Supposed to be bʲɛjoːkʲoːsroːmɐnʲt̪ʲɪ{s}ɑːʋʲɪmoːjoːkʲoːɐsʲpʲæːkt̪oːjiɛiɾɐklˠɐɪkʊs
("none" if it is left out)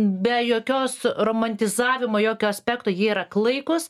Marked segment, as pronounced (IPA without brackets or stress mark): z